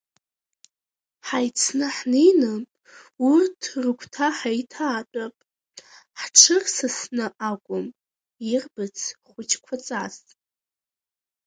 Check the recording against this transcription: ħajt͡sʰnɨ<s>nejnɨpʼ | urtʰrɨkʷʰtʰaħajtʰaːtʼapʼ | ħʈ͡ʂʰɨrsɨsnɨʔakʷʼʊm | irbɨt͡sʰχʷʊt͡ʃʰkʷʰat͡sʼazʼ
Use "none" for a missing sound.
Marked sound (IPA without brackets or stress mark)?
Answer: ħ